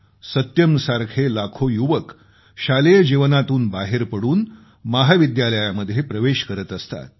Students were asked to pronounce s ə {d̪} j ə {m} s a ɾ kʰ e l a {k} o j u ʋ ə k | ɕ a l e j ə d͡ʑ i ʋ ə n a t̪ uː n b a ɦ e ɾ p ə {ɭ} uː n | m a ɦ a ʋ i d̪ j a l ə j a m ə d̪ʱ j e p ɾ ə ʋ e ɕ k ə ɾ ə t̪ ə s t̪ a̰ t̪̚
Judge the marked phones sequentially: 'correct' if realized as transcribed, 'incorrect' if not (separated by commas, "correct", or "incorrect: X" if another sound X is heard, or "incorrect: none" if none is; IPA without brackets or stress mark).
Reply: incorrect: t̪, correct, incorrect: kʰ, incorrect: ɽ